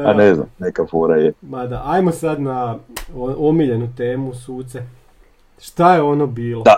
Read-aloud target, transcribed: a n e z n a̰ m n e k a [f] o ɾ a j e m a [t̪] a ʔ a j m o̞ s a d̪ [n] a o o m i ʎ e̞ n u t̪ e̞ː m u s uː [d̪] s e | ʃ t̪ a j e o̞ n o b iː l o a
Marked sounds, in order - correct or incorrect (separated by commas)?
correct, incorrect, correct, incorrect